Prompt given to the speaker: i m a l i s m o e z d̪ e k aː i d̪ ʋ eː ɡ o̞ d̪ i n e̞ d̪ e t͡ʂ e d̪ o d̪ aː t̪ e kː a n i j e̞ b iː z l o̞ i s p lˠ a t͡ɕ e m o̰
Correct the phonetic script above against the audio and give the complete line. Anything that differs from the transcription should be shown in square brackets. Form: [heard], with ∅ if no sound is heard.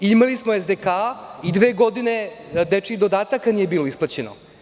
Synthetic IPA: i m a l i s m o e z d̪ e k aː i d̪ ʋ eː ɡ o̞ d̪ i n e̞ d̪ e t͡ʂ [i] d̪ o d̪ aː t̪ [a] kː a n i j e̞ b iː [∅] l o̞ i s p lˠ a t͡ɕ e [n] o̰